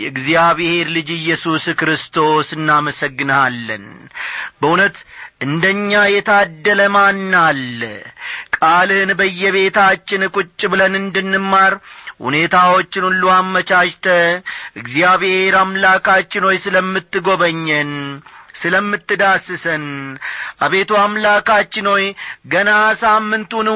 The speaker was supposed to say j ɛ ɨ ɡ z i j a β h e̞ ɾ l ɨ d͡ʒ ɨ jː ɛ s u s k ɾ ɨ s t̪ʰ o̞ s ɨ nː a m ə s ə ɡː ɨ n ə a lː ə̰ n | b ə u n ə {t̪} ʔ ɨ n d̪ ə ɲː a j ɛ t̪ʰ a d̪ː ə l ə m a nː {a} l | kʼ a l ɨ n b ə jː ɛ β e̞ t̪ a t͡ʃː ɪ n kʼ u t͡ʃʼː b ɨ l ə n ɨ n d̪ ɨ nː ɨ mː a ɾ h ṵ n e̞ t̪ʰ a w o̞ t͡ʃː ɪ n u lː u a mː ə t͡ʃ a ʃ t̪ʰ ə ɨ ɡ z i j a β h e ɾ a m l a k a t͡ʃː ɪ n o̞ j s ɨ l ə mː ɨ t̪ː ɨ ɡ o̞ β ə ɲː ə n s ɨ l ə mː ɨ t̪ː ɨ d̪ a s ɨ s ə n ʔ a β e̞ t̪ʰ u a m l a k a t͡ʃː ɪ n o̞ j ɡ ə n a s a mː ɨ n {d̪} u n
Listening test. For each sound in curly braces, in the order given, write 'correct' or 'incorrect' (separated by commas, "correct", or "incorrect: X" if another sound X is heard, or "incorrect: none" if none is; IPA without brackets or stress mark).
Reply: correct, correct, incorrect: t̪